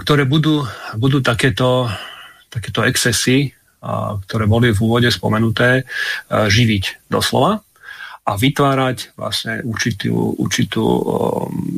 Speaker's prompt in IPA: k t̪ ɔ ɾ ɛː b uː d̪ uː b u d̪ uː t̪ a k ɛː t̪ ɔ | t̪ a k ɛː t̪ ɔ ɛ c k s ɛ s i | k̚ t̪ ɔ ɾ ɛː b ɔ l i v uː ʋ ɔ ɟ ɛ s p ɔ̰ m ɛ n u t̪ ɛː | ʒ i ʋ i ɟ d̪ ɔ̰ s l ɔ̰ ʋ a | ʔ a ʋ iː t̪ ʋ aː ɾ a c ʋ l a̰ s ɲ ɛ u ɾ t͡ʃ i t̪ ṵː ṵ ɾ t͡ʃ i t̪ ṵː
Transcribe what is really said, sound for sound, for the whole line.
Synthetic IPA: k t̪ ɔ ɾ ɛː b u d̪ uː b u d̪ uː t̪ a k ɛː t̪ ɔ | t̪ a k ɛː t̪ ɔ ɛ k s ɛ s i | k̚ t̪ ɔ ɾ ɛː b ɔ l i v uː ʋ ɔ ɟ ɛ s p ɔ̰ m ɛ n u t̪ ɛː | ʒ i ʋ i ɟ d̪ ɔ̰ s l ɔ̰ ʋ a | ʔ a ʋ i t̪ ʋ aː ɾ a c ʋ l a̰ s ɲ ɛ u ɾ t͡ʃ i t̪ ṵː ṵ ɾ t͡ʃ i t̪ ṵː